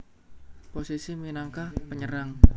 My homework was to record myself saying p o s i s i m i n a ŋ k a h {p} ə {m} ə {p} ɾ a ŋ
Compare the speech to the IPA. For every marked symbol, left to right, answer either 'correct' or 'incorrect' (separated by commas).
correct, incorrect, incorrect